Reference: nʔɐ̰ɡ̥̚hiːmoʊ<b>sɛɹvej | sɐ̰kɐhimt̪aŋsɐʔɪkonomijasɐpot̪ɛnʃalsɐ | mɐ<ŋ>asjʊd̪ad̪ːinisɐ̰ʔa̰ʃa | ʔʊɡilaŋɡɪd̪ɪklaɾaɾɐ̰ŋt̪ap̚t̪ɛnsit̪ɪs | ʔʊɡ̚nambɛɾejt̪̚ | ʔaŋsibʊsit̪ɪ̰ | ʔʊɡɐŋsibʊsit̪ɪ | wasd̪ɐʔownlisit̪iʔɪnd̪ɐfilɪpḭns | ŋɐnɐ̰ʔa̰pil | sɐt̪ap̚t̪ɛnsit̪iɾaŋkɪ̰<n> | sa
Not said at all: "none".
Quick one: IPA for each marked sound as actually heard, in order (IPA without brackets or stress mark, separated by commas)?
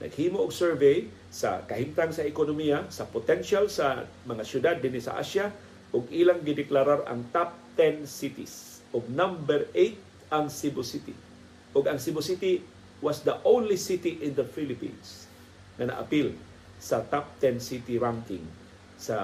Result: ɡ, ŋ, ŋ